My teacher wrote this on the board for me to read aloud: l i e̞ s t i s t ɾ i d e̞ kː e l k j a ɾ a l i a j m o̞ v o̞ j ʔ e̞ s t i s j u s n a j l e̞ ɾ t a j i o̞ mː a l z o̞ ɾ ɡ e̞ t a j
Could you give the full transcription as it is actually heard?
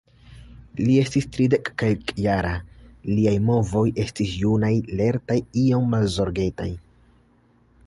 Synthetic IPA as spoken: l i e̞ s t i s t ɾ i d e̞ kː e l k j a ɾ a l i a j m o̞ v o̞ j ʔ e̞ s t i s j u n a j l e̞ ɾ t a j i o̞ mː a l z o̞ ɾ ɡ e̞ t a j